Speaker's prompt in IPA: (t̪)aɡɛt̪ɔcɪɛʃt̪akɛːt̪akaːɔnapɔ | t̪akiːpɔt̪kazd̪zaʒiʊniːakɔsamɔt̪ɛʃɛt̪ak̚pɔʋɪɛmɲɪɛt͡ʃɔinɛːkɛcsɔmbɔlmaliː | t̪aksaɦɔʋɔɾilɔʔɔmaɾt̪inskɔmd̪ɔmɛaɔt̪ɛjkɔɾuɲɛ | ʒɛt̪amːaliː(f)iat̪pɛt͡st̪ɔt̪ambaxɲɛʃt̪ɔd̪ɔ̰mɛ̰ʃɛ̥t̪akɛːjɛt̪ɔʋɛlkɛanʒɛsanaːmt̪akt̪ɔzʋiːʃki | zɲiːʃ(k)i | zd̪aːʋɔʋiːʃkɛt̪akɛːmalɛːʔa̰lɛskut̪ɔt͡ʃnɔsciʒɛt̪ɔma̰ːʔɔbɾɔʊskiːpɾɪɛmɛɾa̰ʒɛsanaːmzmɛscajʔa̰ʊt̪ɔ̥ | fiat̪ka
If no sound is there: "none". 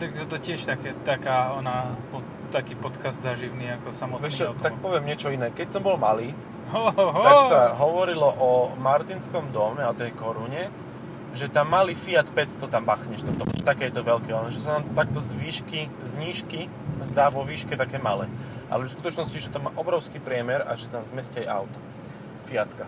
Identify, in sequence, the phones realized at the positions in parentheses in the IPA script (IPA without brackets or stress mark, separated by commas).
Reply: t̪, f, k